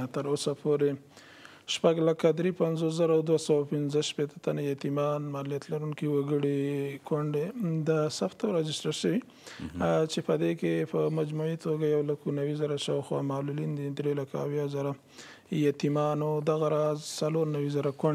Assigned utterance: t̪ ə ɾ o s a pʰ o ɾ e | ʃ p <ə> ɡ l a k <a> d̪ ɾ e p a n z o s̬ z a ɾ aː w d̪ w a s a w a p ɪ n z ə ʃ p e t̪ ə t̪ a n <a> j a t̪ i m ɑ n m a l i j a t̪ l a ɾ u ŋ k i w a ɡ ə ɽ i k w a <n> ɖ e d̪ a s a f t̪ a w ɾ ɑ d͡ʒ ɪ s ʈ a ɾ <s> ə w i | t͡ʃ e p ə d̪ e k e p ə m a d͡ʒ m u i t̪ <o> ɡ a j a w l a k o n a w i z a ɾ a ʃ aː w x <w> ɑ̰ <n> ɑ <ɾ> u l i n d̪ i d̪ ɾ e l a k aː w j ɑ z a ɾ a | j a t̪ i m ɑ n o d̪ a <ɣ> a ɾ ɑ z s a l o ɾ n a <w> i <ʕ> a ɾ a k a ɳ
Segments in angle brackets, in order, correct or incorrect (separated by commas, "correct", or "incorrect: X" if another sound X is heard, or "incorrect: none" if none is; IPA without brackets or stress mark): incorrect: a, correct, correct, incorrect: ɳ, incorrect: ʃ, correct, correct, incorrect: m, incorrect: l, correct, correct, incorrect: z